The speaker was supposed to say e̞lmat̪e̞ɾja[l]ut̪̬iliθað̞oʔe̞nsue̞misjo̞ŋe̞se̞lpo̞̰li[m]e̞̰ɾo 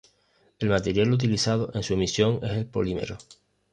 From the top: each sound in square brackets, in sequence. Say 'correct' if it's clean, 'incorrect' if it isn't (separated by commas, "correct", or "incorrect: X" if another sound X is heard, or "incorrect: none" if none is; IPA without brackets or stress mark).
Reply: correct, correct